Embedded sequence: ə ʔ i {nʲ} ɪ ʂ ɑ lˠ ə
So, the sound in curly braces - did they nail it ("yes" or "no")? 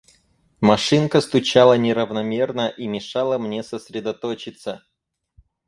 no